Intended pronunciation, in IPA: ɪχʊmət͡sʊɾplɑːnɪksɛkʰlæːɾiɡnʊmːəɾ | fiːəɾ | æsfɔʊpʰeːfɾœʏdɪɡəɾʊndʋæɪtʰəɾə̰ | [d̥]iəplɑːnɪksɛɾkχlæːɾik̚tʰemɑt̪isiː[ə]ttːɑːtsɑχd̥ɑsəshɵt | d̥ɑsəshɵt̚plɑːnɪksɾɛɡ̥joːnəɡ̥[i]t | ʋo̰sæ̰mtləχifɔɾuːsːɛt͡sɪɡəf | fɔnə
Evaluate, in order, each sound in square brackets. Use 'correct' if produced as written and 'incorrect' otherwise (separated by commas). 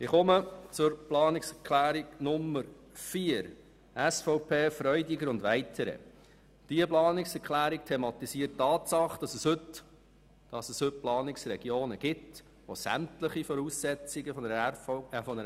correct, correct, incorrect